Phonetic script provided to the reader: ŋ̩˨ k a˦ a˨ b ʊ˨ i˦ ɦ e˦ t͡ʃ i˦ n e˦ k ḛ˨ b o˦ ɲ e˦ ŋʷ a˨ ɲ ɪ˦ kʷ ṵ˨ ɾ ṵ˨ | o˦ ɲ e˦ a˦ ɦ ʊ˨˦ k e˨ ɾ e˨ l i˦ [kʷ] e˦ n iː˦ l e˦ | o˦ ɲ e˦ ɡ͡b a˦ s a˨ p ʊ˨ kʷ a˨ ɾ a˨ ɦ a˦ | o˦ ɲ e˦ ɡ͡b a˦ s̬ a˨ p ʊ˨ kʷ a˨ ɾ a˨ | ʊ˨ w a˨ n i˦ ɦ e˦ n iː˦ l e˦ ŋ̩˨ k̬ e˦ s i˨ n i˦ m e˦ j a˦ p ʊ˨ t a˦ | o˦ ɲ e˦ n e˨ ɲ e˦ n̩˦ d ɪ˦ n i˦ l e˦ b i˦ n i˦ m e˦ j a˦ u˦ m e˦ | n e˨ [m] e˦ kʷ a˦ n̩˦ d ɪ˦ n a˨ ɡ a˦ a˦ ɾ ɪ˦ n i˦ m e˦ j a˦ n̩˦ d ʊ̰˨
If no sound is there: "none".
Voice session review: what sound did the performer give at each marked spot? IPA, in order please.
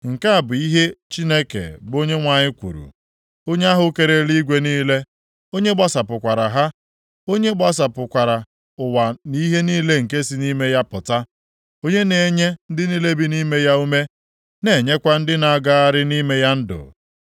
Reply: ɡʷ, ɲ

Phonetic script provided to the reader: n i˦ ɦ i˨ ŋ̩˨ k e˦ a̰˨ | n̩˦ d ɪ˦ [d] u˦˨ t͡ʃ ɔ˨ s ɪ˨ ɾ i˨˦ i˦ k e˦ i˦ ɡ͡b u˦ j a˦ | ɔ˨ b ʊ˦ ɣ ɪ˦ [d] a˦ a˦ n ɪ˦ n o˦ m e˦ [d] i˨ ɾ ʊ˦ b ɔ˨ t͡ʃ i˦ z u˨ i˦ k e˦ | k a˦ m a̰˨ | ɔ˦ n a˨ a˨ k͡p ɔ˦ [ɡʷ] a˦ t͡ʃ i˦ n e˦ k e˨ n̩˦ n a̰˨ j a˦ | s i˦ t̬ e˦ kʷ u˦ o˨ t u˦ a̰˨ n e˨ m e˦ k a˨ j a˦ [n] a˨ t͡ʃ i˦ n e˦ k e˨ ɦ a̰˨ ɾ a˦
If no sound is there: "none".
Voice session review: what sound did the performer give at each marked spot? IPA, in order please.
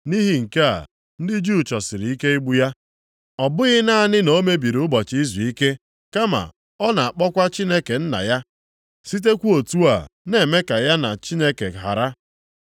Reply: d͡ʒ, n, b, kʷ, n

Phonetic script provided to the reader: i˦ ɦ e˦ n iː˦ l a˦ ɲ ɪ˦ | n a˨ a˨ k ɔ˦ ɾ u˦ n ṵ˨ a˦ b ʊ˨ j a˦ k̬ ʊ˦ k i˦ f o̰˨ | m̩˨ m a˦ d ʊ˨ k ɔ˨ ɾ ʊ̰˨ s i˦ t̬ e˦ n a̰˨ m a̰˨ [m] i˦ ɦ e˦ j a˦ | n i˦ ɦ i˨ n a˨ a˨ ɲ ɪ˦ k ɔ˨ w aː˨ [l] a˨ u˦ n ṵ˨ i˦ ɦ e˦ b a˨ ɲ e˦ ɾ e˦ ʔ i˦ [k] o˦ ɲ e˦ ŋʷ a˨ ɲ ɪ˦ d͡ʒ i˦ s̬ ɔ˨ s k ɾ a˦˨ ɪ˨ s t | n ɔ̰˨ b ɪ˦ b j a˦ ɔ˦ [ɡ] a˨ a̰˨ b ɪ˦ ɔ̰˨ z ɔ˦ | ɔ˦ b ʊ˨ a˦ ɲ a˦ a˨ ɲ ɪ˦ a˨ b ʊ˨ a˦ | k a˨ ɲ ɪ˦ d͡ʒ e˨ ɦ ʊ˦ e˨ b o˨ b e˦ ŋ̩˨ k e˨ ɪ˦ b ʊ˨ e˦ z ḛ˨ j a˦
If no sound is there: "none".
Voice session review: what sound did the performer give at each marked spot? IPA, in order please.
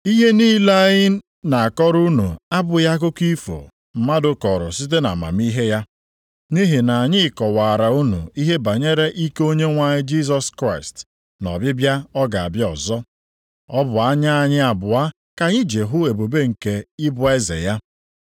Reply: m, ɾ, k, ɡ

